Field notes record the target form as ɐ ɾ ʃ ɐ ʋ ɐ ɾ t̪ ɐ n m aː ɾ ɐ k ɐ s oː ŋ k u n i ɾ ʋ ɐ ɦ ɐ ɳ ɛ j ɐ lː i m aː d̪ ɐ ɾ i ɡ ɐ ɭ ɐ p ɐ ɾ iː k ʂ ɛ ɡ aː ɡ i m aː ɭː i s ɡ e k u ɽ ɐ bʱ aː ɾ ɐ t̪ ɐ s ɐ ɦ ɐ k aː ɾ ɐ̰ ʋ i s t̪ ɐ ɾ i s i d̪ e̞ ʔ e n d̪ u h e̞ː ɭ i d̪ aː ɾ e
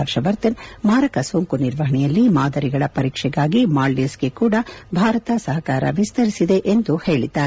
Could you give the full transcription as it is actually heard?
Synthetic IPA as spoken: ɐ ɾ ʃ ɐ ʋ ɐ ɾ t̪ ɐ n m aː ɾ ɐ k ɐ s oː ŋ k u n i ɾ ʋ ɐ ɦ ɐ ɳ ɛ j ɐ lː i m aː d̪ ɐ ɾ i ɡ ɐ ɭ ɐ p ɐ ɾ iː k ʂ ɛ ɡ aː ɡ i m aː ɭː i s ɡ e k uː ɽ ɐ bʱ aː ɾ ɐ t̪ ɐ s ɐ ɦ ɐ k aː ɾ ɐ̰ ʋ i s t̪ ɐ ɾ i s i d̪ e̞ ʔ e n d̪ u h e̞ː ɭ i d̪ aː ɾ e